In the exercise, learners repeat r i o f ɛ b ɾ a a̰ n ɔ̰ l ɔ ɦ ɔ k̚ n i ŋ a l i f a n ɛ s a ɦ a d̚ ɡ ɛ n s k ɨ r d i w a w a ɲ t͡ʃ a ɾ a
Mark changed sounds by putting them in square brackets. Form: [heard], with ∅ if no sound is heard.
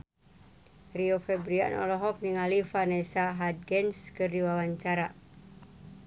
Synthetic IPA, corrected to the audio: r i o f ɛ b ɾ [i] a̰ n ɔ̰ l ɔ ɦ ɔ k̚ n i ŋ a l i f a n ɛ s a ɦ a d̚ ɡ ɛ n s k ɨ r d i w a w a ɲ t͡ʃ a ɾ a

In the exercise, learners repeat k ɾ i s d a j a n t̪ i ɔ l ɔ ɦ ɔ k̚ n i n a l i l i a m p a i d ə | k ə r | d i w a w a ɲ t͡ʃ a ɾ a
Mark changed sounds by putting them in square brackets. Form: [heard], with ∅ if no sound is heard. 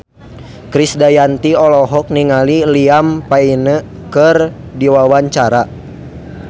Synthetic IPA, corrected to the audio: k ɾ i s d a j a n t̪ i ɔ l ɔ ɦ ɔ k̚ n i [ŋ] a l i l i a m p a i [n] ə | k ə r | d i w a w a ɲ t͡ʃ a ɾ a

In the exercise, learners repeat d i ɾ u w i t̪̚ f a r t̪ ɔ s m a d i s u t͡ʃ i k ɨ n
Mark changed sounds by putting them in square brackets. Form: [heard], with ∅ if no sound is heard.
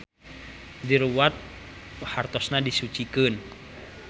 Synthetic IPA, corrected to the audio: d i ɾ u w [a] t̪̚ [h] a r t̪ ɔ s [n] a d i s u t͡ʃ i k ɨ n

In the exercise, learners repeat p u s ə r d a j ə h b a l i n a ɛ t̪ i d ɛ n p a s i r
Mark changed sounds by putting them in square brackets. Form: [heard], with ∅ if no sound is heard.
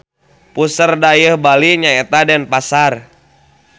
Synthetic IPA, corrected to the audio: p u s ə r d a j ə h b a l i [ɲ] a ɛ t̪ [a] d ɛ n p a s [a] r

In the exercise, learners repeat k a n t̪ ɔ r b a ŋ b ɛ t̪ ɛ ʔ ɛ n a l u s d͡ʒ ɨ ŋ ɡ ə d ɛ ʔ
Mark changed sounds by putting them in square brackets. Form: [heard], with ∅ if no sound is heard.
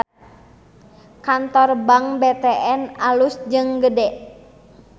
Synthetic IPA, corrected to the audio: k a n t̪ ɔ r b a ŋ b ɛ t̪ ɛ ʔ ɛ n a l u s d͡ʒ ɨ ŋ ɡ ə d ɛ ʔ

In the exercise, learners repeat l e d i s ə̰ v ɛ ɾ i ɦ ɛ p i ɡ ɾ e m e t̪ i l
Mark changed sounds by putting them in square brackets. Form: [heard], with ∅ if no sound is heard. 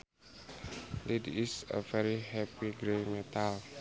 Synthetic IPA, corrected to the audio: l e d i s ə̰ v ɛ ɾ i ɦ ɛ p i ɡ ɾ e m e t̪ [a] l

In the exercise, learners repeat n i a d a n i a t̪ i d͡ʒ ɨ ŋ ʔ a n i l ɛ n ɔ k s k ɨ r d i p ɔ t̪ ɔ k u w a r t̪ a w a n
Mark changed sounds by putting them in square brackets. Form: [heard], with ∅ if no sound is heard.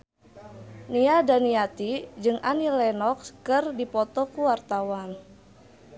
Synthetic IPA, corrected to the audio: n i a d a n i a t̪ i d͡ʒ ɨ ŋ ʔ a n i l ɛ n ɔ k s k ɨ r d i p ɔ t̪ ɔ k u w a r t̪ a w a n

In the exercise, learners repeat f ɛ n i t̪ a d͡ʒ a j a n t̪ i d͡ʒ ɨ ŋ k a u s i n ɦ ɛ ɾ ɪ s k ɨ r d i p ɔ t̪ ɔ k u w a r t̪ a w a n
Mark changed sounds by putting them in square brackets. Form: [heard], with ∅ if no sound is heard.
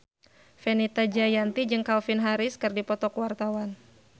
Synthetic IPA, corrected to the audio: f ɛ n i t̪ a d͡ʒ a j a n t̪ i d͡ʒ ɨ ŋ k a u [f] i n ɦ [a] ɾ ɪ s k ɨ r d i p ɔ t̪ ɔ k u w a r t̪ a w a n

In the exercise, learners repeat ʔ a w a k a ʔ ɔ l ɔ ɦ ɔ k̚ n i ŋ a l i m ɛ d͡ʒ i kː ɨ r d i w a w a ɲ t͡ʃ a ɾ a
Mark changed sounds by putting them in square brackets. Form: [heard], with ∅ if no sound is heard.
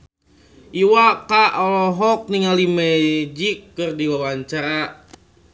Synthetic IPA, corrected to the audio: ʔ [i] w a k a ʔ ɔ l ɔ ɦ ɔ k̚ n i ŋ a l i m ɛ d͡ʒ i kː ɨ r d i w a w a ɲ t͡ʃ a ɾ a

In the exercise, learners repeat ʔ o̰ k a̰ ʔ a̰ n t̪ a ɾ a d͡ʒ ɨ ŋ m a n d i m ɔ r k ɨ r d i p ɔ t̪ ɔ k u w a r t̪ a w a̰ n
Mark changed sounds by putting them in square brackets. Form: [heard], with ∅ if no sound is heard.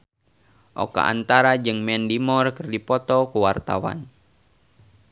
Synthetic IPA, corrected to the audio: ʔ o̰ k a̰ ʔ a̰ n t̪ a ɾ a d͡ʒ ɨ ŋ m [ɛ] n d i m ɔ r k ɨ r d i p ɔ t̪ ɔ k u w a r t̪ a w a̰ n

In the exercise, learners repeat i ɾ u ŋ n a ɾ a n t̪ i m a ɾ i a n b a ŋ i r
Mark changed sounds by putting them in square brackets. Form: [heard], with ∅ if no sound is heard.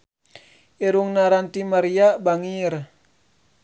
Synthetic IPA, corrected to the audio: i ɾ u ŋ n a ɾ a n t̪ i m a ɾ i a [∅] b a ŋ i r

